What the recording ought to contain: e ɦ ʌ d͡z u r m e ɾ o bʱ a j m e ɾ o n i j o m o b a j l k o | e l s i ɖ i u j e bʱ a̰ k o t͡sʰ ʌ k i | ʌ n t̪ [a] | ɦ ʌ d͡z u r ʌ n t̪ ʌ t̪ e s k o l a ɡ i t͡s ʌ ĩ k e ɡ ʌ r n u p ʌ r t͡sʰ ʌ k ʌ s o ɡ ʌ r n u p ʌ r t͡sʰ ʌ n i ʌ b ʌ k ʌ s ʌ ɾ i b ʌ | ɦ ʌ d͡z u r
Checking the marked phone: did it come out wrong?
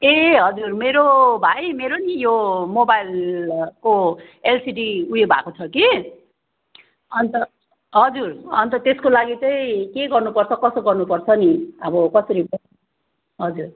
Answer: yes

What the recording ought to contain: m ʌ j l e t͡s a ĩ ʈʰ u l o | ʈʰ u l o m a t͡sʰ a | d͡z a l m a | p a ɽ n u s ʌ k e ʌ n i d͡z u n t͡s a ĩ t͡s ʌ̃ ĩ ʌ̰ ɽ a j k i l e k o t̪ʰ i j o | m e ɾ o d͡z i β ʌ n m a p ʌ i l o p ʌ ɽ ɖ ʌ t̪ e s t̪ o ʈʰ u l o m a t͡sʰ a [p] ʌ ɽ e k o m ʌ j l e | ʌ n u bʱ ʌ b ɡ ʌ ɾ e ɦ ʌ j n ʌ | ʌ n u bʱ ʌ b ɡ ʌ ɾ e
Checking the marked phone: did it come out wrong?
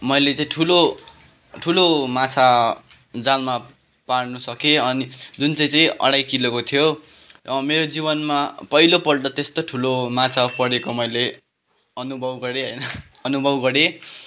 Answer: no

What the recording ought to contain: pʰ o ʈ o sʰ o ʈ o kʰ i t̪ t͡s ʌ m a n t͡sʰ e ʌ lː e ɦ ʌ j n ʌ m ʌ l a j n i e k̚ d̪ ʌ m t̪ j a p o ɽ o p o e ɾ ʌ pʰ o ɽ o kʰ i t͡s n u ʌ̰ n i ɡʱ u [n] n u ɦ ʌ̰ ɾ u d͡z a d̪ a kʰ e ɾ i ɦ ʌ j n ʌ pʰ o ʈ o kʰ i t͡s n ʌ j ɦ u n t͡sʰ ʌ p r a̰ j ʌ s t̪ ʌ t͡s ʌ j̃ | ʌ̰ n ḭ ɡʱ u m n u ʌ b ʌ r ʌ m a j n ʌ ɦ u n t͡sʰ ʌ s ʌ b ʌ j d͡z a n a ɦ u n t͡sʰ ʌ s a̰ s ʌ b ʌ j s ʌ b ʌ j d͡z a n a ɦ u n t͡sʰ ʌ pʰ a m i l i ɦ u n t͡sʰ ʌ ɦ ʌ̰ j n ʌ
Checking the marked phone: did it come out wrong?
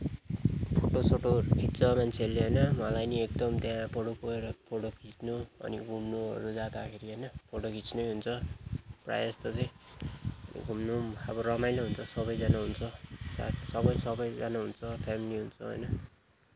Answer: yes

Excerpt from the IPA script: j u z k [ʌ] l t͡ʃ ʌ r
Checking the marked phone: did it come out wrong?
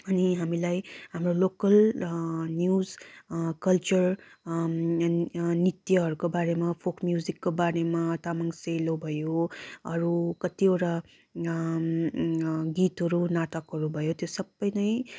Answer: no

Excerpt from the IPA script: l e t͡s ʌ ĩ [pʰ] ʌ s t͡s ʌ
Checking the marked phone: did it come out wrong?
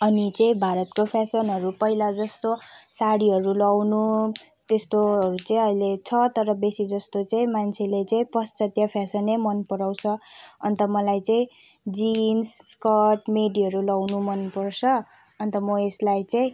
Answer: yes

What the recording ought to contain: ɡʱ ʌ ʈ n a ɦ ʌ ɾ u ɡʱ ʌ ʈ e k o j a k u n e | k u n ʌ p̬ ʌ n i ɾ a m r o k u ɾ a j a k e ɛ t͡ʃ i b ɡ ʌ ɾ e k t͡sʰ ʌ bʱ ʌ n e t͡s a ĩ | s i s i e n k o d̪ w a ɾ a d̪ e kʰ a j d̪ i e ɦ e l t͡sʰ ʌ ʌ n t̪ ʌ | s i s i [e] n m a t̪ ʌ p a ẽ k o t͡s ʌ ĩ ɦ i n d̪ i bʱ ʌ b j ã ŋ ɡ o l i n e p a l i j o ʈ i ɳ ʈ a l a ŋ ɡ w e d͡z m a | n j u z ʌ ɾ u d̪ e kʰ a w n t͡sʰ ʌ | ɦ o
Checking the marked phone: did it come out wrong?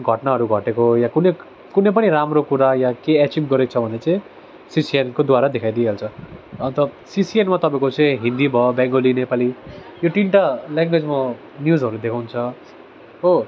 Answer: no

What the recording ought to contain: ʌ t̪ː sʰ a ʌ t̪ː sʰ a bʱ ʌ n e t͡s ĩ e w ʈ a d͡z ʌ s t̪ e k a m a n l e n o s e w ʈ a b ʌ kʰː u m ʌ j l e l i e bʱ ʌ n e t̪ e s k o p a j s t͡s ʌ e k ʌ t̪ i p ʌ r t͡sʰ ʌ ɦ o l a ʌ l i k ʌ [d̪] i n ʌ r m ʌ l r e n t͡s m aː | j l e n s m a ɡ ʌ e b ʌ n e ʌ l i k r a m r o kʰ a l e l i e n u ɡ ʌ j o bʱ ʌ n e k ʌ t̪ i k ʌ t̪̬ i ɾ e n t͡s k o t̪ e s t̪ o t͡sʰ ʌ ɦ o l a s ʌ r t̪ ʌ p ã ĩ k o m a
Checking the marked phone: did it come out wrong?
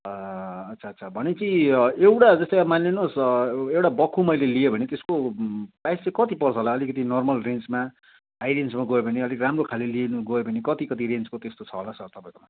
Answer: yes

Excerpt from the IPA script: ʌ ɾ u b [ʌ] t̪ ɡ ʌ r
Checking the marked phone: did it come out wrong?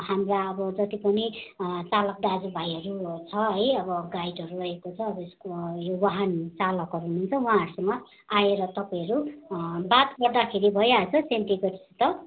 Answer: yes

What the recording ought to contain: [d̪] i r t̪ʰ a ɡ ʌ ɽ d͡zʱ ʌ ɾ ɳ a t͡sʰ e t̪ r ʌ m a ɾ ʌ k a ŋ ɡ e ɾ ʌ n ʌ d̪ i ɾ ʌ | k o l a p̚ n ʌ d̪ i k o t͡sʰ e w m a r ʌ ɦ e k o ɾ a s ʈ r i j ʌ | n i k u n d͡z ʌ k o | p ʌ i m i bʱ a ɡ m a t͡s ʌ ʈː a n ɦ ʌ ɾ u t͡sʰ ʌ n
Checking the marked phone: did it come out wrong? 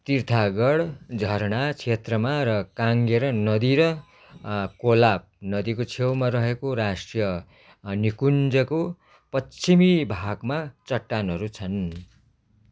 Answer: yes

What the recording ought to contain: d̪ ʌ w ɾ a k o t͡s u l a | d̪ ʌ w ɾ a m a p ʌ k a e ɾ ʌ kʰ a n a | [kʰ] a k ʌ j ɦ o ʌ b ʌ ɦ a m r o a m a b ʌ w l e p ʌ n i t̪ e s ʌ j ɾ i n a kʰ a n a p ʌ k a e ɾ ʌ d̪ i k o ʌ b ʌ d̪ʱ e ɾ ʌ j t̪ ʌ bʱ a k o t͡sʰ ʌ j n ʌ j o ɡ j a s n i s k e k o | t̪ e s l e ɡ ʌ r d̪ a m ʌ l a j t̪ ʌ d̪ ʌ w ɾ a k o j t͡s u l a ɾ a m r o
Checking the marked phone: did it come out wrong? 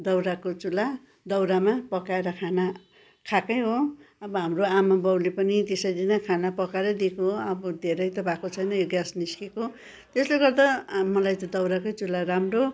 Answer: no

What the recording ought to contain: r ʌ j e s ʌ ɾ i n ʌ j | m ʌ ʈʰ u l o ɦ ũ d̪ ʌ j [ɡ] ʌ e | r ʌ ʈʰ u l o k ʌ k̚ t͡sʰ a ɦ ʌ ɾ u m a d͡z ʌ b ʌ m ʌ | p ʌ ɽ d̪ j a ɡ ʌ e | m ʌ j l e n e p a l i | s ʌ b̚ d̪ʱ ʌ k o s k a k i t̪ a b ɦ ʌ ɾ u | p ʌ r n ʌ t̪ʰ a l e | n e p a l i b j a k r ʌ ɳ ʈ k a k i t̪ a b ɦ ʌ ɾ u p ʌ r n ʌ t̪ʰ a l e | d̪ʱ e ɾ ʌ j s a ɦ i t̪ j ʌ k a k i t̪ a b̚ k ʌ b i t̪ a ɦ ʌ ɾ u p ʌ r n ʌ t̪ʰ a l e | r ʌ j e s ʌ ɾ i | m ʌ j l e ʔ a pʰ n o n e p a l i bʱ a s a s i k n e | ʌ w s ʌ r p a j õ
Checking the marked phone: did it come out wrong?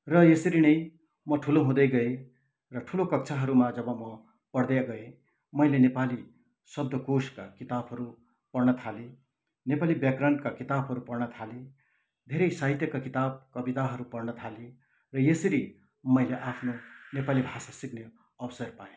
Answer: no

